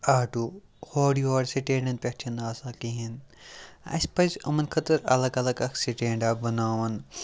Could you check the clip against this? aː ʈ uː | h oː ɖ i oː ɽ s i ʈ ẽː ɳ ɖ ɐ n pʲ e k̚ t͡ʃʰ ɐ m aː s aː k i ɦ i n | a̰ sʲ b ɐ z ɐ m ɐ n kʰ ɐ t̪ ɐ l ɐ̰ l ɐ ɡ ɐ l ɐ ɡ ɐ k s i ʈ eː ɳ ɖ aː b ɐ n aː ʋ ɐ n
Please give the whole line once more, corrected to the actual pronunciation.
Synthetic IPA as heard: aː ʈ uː | h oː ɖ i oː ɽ s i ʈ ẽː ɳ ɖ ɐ n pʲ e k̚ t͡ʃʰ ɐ n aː s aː k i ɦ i n | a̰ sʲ p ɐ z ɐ m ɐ n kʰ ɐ t̪ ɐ ɾ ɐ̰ l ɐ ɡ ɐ l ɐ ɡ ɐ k s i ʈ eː ɳ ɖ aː b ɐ n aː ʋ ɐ n